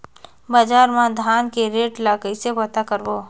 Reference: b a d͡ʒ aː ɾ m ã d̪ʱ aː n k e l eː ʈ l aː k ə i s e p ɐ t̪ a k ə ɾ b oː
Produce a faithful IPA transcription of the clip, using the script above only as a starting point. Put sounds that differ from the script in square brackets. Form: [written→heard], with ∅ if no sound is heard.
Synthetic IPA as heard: b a d͡ʒ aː ɾ m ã d̪ʱ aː n k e [l→ɾ] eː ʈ l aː k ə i s e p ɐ t̪ a k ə ɾ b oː